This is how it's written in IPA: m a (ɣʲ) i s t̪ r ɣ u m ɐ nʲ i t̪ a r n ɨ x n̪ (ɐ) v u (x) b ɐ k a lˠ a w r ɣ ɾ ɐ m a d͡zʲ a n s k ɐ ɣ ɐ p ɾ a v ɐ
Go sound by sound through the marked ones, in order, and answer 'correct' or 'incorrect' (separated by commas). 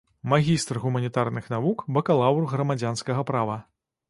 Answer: correct, incorrect, incorrect